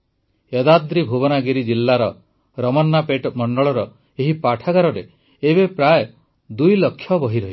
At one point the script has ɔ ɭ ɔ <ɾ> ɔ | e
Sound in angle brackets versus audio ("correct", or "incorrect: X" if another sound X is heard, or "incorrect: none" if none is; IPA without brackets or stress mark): correct